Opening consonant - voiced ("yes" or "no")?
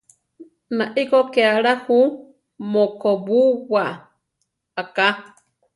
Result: yes